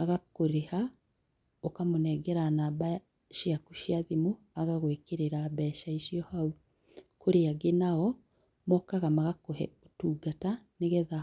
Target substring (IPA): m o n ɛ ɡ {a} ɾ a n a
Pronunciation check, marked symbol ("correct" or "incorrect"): incorrect